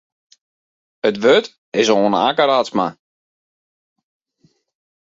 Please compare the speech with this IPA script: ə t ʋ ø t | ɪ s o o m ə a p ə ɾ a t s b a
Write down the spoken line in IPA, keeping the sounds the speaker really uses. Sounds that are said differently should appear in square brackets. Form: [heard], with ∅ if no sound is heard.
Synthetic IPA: ə t ʋ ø t | ɪ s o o [n] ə a [k] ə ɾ a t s [m] a